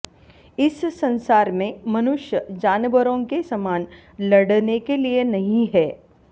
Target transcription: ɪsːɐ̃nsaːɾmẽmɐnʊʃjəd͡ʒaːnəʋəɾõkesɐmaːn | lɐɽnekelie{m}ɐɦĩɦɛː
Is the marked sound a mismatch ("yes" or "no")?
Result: yes